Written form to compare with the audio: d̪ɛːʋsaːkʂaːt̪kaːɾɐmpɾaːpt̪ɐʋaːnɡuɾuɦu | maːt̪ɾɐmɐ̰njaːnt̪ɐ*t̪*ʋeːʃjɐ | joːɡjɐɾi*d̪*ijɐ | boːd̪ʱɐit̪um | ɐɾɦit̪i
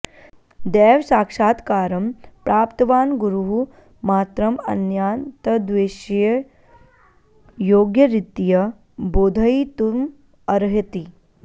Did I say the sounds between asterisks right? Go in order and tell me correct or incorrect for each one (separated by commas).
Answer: incorrect, incorrect